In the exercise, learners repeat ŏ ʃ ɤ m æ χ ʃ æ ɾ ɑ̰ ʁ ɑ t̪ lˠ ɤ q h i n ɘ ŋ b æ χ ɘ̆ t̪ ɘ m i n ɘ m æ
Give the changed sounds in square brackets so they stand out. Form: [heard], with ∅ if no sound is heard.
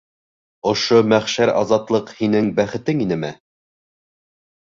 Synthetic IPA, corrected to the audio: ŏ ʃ [o] m æ χ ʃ æ ɾ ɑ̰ [z] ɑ t̪ lˠ ɤ q h i n ɘ ŋ b æ χ ɘ̆ t̪ ɘ [ŋ] i n ɘ m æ